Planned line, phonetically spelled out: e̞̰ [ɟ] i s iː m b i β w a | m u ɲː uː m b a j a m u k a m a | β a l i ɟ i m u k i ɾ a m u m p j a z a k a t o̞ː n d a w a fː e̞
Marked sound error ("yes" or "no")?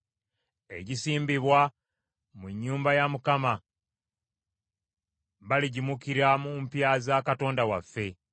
no